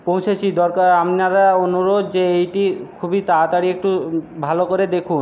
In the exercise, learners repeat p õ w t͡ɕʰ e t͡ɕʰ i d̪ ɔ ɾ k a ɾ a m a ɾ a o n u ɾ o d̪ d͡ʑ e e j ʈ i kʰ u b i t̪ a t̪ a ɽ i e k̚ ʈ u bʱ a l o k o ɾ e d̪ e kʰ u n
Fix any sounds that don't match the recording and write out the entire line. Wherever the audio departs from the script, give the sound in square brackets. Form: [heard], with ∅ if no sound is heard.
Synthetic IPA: p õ w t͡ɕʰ e t͡ɕʰ i d̪ ɔ ɾ k a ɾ a m a ɾ a o n u ɾ o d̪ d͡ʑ e e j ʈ i kʰ u b i t̪ a t̪ a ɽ i e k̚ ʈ u bʱ a l o k o ɾ e d̪ e kʰ u n